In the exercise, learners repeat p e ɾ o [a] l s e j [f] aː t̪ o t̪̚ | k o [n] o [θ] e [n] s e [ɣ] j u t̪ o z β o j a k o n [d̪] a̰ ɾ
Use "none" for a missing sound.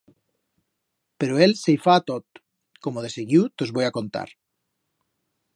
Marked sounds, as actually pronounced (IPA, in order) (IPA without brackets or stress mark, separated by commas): e, f, m, ð, none, ɣ, t̪